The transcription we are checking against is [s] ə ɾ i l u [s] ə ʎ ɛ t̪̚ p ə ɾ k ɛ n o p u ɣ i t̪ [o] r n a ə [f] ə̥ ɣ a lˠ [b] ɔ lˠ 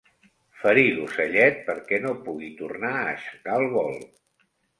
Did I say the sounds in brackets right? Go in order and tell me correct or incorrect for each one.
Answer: incorrect: f, correct, incorrect: u, incorrect: ʃ, incorrect: β

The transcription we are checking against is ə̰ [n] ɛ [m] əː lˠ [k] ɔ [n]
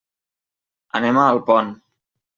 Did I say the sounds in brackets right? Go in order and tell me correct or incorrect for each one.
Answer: correct, correct, incorrect: p, correct

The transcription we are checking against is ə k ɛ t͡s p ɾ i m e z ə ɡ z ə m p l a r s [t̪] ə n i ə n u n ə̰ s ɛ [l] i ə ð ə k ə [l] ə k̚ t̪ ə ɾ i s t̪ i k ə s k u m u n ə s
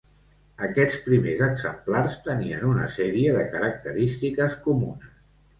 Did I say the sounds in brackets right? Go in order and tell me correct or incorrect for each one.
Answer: correct, incorrect: ɾ, incorrect: ɾ

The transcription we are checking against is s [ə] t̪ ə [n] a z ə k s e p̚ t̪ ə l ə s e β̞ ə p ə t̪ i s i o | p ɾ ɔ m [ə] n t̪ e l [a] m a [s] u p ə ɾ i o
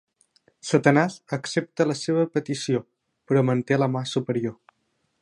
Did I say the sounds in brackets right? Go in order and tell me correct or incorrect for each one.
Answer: correct, correct, correct, incorrect: ə, correct

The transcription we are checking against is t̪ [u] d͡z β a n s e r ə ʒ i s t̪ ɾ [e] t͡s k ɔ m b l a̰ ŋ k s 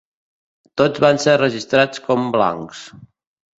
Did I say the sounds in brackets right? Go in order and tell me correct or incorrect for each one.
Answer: incorrect: o, incorrect: a

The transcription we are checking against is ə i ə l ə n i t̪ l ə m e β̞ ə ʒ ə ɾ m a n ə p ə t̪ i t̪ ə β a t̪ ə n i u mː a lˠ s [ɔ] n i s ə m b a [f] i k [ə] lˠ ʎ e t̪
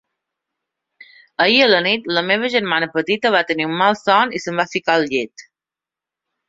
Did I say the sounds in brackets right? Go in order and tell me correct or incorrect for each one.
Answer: correct, correct, incorrect: a

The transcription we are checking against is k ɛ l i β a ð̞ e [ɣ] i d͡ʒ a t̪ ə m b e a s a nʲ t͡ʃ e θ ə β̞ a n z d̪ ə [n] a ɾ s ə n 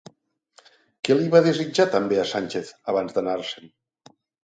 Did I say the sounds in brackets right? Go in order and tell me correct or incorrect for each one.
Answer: incorrect: z, correct

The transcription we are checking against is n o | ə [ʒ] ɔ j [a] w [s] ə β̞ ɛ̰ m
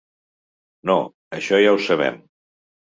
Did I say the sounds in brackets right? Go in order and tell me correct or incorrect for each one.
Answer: incorrect: ʃ, correct, correct

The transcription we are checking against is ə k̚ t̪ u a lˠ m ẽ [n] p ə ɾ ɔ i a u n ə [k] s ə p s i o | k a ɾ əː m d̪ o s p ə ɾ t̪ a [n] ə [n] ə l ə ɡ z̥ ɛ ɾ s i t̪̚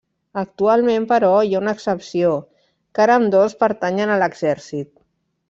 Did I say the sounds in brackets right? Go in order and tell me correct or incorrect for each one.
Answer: incorrect: m, correct, incorrect: ɲ, correct

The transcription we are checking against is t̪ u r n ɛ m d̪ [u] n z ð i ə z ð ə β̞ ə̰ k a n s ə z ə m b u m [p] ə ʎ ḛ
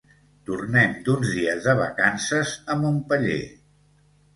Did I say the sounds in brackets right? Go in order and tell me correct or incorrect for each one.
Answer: correct, correct

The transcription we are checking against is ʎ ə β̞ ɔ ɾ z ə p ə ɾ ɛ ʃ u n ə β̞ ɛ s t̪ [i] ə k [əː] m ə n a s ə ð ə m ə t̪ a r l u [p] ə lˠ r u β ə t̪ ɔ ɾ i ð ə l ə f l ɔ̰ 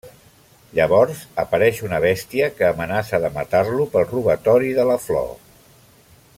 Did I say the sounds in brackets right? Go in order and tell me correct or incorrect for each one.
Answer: correct, correct, correct

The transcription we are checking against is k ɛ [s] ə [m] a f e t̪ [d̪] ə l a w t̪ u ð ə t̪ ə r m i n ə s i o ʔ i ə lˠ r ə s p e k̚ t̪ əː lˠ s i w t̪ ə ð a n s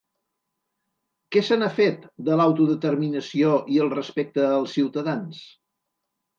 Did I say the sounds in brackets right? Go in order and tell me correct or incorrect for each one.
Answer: correct, incorrect: n, correct

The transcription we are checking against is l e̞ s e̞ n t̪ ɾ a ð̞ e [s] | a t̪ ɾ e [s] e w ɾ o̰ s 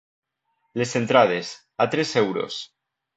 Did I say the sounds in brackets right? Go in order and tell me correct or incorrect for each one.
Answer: correct, correct

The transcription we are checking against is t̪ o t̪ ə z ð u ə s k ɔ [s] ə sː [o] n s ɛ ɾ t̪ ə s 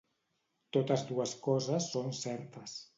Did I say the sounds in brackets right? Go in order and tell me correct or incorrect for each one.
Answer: incorrect: z, correct

